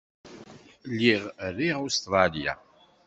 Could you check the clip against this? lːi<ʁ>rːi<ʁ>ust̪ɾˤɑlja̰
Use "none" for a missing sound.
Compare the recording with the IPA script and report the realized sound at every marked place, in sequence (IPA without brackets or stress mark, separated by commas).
ʁ, ʁ